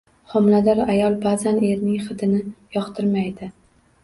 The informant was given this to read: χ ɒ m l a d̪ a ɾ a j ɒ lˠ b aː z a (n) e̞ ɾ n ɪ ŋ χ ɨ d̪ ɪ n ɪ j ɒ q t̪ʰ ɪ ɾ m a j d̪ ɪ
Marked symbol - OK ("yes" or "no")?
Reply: yes